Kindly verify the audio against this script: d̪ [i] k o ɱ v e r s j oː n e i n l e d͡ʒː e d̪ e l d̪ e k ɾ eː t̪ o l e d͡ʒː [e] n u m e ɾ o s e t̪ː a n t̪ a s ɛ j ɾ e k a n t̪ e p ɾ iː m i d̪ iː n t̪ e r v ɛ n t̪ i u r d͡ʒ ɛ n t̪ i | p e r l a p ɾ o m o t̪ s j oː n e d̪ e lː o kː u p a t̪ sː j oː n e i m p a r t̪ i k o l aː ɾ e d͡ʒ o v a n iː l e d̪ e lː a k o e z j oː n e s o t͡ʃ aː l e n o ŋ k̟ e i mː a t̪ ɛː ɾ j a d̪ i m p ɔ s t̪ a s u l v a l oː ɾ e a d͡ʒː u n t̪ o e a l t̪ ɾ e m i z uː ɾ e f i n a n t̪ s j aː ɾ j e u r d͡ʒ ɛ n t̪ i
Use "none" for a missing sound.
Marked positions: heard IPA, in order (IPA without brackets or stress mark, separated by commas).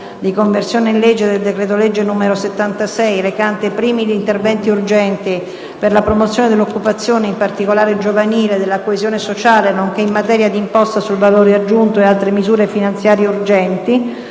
i, e